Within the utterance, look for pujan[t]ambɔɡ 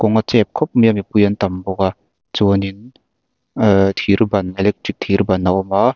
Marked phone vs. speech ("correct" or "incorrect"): correct